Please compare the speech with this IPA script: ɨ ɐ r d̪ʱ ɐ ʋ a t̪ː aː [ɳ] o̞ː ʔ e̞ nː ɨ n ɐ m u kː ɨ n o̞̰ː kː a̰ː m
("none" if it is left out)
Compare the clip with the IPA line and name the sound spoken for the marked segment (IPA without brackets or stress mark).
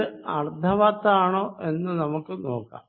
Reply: ɳ